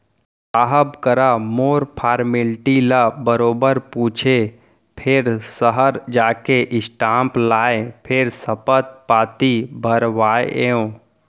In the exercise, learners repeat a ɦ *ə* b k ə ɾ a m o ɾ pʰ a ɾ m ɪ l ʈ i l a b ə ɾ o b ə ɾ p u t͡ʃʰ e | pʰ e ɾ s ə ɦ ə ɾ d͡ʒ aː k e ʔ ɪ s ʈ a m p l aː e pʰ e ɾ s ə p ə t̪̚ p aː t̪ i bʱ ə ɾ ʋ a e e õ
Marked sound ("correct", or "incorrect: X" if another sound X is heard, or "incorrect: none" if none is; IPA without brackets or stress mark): correct